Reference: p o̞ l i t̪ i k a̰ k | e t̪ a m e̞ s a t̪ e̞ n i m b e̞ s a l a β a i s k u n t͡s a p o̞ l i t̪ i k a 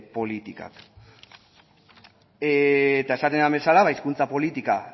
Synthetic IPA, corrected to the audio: p o̞ l i t̪ i k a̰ k | e t̪ a e̞ s a t̪ e̞ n a m b e̞ s a l a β a i s k u n t͡s a p o̞ l i t̪ i k a